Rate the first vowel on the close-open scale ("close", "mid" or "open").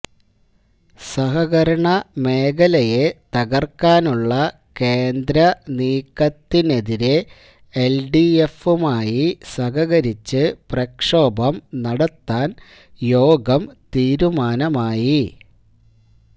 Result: open